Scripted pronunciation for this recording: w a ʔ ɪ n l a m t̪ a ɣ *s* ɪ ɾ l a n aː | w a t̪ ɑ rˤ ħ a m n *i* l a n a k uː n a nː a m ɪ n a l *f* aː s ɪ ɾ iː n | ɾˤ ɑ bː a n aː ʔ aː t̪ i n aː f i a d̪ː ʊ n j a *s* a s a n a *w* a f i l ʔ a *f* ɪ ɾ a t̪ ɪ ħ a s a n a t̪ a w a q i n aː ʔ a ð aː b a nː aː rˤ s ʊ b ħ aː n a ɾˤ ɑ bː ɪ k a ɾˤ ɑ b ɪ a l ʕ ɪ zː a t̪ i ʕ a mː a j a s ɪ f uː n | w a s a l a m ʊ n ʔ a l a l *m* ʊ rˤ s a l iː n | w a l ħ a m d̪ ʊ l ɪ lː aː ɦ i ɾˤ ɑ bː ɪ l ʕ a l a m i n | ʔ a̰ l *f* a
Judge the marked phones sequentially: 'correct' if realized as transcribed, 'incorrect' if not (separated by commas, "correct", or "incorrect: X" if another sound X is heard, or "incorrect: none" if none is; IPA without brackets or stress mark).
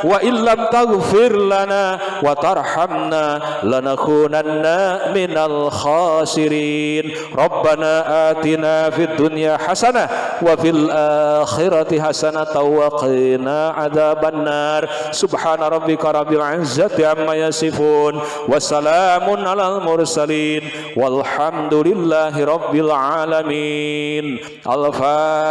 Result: incorrect: f, incorrect: a, incorrect: x, incorrect: ħ, correct, incorrect: x, correct, correct